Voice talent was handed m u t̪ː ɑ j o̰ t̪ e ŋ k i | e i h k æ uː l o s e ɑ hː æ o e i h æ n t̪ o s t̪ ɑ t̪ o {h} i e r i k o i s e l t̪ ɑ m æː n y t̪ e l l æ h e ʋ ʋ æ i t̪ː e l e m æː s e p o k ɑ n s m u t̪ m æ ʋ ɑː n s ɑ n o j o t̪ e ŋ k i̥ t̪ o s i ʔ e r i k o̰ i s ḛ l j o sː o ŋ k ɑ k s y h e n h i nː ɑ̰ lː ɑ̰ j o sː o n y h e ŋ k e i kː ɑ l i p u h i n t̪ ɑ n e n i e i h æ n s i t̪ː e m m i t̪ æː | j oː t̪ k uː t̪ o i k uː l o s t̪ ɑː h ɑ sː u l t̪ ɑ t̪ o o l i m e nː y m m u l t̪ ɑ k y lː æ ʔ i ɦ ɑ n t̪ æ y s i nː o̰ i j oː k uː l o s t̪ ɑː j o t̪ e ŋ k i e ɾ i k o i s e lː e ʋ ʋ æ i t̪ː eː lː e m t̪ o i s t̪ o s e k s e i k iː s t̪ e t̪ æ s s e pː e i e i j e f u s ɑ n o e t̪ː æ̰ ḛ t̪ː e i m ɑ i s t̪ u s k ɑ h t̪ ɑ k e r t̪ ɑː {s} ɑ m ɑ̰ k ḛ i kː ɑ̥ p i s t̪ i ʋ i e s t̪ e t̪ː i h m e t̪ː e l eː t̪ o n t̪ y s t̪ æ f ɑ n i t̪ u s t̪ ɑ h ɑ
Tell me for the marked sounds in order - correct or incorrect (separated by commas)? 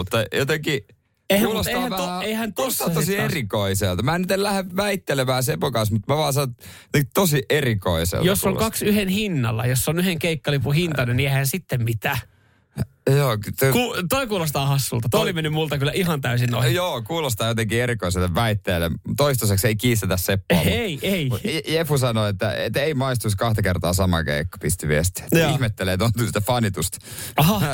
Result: incorrect, correct